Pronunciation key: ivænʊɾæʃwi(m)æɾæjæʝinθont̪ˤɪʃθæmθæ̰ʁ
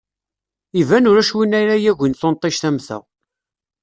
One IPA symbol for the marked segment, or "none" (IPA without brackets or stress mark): n